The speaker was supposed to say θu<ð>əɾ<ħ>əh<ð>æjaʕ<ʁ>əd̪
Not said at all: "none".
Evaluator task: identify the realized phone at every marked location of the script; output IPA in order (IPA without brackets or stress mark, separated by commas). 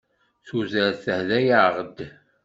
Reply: z, θ, ð, ʁ